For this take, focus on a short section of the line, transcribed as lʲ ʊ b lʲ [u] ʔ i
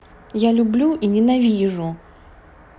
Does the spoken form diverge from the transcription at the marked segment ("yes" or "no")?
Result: no